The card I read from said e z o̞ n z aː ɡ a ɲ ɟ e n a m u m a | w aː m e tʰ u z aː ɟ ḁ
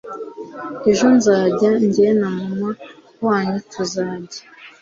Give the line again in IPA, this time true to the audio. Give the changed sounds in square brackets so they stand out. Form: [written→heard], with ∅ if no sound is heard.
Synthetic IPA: e [z→ʒ] o̞ n z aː [ɡ→ɟ] a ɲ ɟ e n a m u m a | w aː [m→ɲ] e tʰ u z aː ɟ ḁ